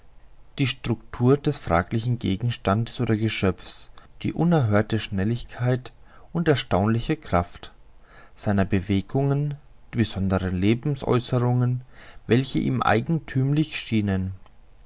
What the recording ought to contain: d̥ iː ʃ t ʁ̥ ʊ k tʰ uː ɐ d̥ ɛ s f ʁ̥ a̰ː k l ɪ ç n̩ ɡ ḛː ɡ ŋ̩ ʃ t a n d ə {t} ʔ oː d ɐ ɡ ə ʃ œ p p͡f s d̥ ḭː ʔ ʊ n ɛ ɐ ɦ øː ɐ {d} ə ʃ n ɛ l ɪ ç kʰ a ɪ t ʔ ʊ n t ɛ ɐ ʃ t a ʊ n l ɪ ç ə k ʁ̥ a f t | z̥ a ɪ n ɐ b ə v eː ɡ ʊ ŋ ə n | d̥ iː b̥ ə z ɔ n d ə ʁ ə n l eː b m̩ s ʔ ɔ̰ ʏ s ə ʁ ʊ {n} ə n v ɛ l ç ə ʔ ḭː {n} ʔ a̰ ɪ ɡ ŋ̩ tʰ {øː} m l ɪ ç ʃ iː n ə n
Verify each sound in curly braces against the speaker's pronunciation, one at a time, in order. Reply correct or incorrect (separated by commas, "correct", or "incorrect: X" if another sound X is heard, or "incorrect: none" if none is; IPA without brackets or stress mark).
incorrect: s, incorrect: t, incorrect: ŋ, incorrect: m, incorrect: yː